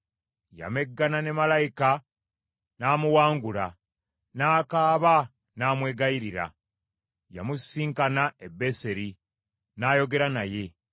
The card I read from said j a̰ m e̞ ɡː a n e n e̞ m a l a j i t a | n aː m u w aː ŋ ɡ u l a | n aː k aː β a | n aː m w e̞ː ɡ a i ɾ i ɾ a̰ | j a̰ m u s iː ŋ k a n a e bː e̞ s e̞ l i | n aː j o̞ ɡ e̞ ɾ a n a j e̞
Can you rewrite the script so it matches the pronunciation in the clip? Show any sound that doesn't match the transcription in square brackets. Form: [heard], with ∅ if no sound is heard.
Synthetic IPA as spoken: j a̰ m e̞ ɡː a n [a] n e̞ m a l a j i [k] a | n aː m u w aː ŋ ɡ u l a | n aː k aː β a | n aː m w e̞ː ɡ a i ɾ i ɾ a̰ | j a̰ m u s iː ŋ k a n a e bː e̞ s e̞ [ɾ] i | n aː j o̞ ɡ e̞ ɾ a n a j e̞